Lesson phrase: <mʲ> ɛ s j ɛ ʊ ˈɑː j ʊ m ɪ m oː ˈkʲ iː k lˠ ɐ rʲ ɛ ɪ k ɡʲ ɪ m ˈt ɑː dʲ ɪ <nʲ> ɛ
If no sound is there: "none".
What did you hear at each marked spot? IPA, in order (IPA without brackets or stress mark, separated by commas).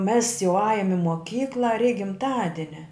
mʲ, nʲ